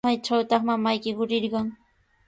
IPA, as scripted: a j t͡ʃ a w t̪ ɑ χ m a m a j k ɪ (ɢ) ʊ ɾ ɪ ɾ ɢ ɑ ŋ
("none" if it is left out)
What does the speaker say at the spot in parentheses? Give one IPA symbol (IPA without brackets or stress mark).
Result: ɢ